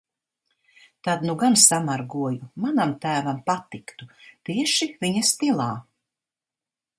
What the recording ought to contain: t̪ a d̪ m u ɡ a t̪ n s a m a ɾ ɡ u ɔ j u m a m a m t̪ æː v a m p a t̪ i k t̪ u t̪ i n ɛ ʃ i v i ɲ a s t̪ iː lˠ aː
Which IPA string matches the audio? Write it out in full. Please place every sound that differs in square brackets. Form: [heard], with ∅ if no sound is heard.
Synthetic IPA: t̪ a d̪ [n] u ɡ a [∅] n s a m a ɾ ɡ u ɔ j u m a [n] a m t̪ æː v a m p a t̪ i k t̪ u t̪ i [∅] ɛ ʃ i v i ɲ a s t̪ [i] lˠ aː